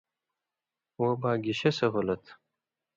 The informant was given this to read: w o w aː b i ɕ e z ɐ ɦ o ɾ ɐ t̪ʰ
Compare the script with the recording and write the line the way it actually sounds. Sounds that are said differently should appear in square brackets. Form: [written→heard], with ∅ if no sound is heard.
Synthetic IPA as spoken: w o [w→b] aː [b→ɡ] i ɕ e [z→s] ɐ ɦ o [ɾ→l] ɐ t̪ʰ